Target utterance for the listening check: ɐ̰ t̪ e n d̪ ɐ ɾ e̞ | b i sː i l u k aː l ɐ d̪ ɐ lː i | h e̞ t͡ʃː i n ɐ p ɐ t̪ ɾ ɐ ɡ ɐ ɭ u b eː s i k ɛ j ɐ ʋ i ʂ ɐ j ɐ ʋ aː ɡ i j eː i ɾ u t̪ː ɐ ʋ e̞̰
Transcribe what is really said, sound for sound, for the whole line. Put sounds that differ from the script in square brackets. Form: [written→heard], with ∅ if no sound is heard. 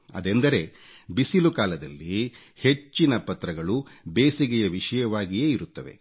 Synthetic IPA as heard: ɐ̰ [t̪→d̪] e n d̪ ɐ ɾ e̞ | b i [sː→s] i l u k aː l ɐ d̪ ɐ lː i | h e̞ t͡ʃː i n ɐ p ɐ t̪ ɾ ɐ ɡ ɐ ɭ u b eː s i [k→ɡ] ɛ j ɐ ʋ i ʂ ɐ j ɐ ʋ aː ɡ i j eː i ɾ u t̪ː ɐ ʋ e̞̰